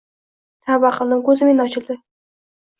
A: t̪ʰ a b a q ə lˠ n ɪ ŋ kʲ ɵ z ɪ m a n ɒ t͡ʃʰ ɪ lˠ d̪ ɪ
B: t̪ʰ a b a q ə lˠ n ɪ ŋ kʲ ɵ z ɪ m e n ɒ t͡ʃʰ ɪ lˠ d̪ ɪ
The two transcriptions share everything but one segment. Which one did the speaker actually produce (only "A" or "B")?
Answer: B